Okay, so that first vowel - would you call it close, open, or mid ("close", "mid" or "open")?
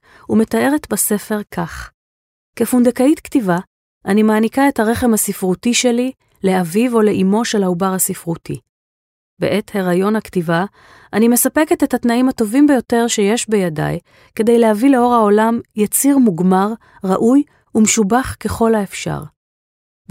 close